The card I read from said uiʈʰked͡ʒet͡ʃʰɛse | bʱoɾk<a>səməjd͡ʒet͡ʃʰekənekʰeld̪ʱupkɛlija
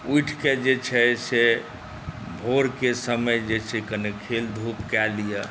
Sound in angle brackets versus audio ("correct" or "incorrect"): incorrect